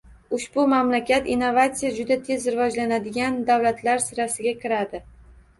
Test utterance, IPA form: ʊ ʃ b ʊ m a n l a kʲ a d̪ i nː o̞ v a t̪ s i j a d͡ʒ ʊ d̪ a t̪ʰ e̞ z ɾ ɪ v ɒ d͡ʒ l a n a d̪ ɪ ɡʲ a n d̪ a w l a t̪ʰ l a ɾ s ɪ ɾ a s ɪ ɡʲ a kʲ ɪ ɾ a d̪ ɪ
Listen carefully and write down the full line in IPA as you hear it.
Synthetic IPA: ʊ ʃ b ʊ m a m l a kʲ a t̪ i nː o̞ v a t̪ s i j a d͡ʒ ʊ d̪ a t̪ʰ e̞ z ɾ ɪ v ɒ d͡ʒ l a n a d̪ ɪ ɡʲ a n d̪ a w l a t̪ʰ l a ɾ s ɪ ɾ a s ɪ ɡʲ a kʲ ɪ ɾ a d̪ ɪ